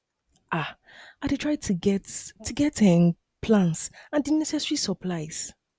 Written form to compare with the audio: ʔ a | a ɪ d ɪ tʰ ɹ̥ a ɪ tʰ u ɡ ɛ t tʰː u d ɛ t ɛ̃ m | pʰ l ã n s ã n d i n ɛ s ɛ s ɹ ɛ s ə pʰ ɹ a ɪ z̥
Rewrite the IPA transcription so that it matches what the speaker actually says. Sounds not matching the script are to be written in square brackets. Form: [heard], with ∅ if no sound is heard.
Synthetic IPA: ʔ a | a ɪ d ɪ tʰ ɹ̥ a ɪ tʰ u ɡ ɛ t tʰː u [ɡ] ɛ t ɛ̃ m | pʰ l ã n s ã n d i n ɛ s ɛ s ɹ [i] s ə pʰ [l] a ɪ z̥